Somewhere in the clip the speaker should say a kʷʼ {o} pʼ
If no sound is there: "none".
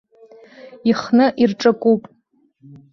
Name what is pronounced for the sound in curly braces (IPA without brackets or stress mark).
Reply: u